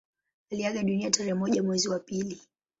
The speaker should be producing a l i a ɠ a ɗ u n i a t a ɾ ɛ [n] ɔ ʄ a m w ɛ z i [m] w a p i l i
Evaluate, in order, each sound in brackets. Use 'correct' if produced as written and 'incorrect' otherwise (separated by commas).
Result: incorrect, incorrect